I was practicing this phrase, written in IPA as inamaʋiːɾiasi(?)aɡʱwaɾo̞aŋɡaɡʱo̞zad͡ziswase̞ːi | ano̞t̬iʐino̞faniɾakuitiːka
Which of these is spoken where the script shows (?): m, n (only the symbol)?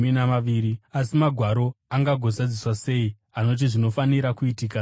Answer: m